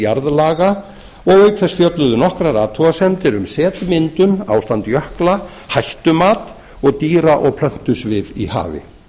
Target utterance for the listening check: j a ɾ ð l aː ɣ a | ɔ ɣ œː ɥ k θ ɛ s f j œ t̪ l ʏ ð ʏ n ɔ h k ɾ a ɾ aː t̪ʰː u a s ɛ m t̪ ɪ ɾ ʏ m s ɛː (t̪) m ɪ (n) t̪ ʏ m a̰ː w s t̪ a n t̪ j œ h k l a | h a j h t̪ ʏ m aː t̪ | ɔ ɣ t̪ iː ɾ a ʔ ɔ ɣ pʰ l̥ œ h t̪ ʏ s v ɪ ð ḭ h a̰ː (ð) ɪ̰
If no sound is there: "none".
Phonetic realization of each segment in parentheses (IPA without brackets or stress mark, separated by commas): t̪, n, v